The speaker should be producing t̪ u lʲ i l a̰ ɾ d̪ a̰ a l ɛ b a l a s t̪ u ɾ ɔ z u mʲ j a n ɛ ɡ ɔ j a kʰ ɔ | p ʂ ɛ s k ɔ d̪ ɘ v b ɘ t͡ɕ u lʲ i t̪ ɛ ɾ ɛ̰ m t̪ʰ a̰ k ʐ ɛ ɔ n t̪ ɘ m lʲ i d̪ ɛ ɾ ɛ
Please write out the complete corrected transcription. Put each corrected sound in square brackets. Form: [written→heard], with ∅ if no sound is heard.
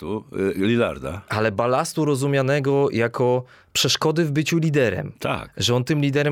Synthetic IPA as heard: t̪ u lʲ i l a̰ ɾ d̪ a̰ a l ɛ b a l a s t̪ u ɾ ɔ z u mʲ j a n ɛ ɡ ɔ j a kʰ ɔ | p ʂ ɛ [s→ʂ] k ɔ d̪ ɘ v b ɘ t͡ɕ u lʲ i [t̪→d̪] ɛ ɾ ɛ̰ m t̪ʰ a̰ k ʐ ɛ ɔ n t̪ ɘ m lʲ i d̪ ɛ ɾ ɛ